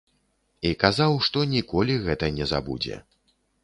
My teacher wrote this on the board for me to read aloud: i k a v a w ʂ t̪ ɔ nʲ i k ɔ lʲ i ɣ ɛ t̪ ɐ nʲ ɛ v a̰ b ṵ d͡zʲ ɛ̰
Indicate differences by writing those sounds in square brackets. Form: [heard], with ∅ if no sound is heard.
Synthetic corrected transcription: i k a [z] a w ʂ t̪ ɔ nʲ i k ɔ lʲ i ɣ ɛ t̪ ɐ nʲ ɛ [z] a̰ b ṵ d͡zʲ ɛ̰